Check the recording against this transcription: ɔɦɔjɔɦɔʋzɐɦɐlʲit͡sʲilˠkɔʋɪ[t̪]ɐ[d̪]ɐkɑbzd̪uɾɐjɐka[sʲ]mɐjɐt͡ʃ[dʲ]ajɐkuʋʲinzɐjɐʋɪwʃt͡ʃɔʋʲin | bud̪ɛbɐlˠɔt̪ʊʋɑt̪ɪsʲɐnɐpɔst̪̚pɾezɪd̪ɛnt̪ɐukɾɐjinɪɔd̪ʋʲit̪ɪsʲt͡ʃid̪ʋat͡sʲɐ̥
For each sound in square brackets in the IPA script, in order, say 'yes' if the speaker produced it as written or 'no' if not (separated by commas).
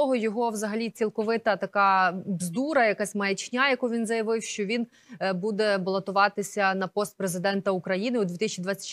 yes, no, yes, no